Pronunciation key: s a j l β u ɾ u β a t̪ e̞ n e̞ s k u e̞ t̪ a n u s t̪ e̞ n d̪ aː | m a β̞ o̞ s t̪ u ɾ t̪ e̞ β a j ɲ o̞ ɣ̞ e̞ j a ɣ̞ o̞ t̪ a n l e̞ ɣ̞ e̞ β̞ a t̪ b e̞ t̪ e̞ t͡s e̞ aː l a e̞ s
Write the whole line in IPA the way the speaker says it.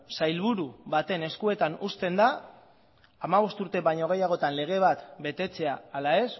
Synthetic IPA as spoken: s a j l β u ɾ u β a t̪ e̞ n e̞ s k u e̞ t̪ a n u s t̪ e̞ n d̪ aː | m a β̞ o̞ s t̪ u ɾ t̪ e̞ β a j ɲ o̞ ɣ̞ e̞ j a ɣ̞ o̞ t̪ a n l e̞ ɣ̞ e̞ β̞ a t̪ b e̞ t̪ e̞ t͡s e̞ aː l a e̞ s